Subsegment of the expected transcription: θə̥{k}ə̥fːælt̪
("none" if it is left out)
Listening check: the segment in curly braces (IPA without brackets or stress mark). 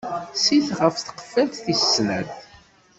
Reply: q